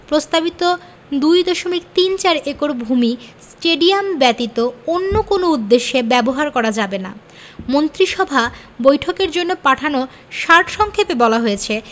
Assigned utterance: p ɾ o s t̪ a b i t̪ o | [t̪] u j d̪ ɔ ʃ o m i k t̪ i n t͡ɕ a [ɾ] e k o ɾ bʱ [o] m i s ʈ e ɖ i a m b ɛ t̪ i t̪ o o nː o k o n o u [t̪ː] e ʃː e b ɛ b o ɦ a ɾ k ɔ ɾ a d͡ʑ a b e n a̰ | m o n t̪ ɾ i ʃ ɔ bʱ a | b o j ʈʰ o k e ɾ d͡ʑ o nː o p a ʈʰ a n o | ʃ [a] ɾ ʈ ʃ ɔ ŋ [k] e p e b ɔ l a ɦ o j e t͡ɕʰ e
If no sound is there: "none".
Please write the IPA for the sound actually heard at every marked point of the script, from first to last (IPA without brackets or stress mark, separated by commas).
d̪, ɾ, u, d̪ː, a, kʰ